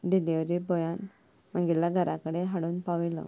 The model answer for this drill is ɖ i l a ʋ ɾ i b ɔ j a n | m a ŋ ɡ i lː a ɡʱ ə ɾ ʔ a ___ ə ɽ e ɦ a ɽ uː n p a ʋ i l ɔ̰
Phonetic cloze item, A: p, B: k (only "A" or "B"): B